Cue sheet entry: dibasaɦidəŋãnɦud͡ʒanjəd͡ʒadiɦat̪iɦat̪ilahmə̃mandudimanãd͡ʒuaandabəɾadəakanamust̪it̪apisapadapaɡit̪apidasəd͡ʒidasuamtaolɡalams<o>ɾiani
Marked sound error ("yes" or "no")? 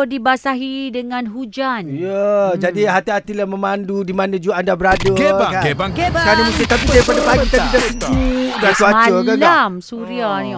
yes